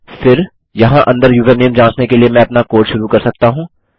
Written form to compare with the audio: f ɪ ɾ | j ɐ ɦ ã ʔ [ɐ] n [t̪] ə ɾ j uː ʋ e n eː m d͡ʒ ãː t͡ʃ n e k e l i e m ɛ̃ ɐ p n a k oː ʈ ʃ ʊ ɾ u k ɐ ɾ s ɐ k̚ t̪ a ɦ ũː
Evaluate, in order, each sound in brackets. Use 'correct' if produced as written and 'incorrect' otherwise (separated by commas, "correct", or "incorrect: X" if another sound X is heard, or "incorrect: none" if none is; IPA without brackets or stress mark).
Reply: incorrect: ɐ̃, incorrect: d̪